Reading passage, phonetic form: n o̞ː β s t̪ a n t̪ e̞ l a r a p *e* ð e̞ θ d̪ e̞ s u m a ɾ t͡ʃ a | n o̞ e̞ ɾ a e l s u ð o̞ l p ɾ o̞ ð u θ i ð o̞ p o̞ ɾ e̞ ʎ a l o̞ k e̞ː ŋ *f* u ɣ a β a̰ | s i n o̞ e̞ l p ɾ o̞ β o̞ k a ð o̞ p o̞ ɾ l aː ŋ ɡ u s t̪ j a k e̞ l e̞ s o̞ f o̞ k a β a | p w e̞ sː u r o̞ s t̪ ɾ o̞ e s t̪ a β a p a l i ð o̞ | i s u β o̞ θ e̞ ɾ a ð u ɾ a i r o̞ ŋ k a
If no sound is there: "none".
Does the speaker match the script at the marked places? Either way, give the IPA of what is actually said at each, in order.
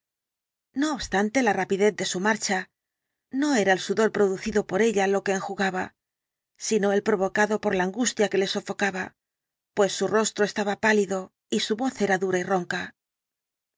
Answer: i, x

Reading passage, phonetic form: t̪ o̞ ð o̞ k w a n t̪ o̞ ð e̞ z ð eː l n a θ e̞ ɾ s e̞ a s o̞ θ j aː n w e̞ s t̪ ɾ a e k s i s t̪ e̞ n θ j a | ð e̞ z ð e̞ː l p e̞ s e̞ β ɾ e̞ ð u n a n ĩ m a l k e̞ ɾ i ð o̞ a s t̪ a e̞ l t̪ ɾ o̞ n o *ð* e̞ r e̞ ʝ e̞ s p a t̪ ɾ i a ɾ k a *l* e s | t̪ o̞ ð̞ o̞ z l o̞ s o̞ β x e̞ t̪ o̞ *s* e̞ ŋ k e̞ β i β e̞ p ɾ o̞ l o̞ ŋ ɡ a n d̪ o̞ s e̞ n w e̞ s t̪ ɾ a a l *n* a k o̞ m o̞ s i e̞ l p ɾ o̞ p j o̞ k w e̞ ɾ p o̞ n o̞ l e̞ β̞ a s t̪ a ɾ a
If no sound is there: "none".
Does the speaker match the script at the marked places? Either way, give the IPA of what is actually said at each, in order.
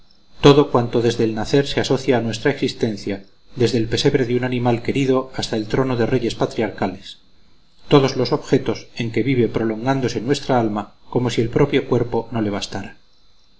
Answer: ð, l, s, m

